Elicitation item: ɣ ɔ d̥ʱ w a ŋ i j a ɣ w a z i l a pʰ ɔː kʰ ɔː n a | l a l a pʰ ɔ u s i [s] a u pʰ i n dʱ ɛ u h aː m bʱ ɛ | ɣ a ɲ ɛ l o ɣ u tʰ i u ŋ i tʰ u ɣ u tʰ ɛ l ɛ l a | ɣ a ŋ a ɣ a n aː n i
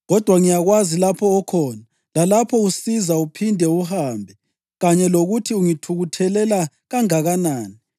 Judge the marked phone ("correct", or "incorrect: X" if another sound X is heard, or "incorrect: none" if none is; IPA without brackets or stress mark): incorrect: z